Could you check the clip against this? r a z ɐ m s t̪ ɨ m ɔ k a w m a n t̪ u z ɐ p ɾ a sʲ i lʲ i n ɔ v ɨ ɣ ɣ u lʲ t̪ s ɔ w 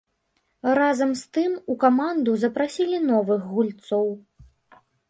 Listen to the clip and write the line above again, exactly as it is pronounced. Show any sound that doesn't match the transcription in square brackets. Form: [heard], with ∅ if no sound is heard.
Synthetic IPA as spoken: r a z ɐ m s t̪ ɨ m [u] k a [∅] m a n [d̪] u z ɐ p ɾ a sʲ i lʲ i n ɔ v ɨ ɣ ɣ u lʲ t̪ s ɔ w